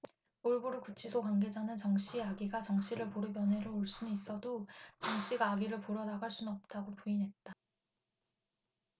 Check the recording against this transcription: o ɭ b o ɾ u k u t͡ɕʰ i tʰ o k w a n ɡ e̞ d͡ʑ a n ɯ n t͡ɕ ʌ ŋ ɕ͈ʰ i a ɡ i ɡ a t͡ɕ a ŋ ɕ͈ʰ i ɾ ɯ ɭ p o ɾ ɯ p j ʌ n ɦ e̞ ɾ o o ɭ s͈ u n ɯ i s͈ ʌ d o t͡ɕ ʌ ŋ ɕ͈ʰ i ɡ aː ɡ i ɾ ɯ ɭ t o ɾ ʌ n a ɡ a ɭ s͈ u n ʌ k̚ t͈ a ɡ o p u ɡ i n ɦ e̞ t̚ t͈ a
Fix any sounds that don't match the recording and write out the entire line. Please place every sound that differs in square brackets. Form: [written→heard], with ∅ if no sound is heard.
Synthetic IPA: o ɭ b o ɾ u k u t͡ɕʰ i [tʰ→sʰ] o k w a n ɡ e̞ d͡ʑ a n ɯ n t͡ɕ ʌ ŋ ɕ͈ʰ i a ɡ i ɡ a t͡ɕ [a→ʌ] ŋ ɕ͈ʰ i ɾ ɯ ɭ p o ɾ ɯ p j ʌ n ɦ e̞ ɾ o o ɭ s͈ u n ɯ i s͈ ʌ d o t͡ɕ ʌ ŋ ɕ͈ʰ i ɡ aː ɡ i ɾ ɯ ɭ [t→p] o ɾ ʌ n a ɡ a ɭ s͈ u n ʌ [k̚→p̚] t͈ a ɡ o p u [ɡ→∅] i n ɦ e̞ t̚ t͈ a